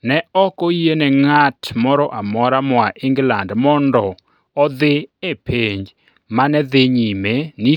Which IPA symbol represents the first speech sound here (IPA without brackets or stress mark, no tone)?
n